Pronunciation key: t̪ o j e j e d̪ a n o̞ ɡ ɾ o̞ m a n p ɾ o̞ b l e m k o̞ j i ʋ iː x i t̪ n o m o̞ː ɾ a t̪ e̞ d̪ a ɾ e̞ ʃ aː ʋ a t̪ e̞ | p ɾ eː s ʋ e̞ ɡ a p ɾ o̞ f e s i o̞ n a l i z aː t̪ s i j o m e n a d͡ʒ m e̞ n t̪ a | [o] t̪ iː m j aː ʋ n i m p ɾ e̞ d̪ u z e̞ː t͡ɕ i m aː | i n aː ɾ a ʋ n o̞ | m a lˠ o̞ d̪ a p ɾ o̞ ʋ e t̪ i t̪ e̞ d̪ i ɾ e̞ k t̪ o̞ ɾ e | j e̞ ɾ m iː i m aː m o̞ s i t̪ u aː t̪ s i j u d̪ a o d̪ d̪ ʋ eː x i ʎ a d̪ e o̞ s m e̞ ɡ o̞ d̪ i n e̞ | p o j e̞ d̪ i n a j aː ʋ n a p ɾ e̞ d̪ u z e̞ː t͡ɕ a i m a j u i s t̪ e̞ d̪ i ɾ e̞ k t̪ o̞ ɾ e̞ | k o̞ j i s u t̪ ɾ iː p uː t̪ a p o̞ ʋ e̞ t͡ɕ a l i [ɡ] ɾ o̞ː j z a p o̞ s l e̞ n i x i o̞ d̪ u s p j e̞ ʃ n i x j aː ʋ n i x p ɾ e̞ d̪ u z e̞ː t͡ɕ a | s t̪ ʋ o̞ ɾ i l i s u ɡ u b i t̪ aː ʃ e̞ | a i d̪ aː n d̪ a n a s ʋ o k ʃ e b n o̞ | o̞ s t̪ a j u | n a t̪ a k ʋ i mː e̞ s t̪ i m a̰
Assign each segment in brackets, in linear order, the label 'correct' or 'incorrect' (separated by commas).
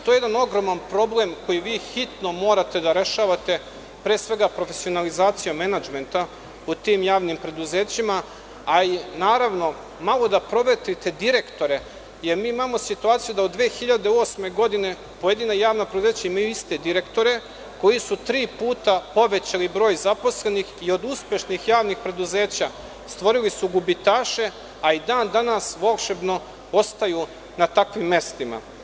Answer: incorrect, incorrect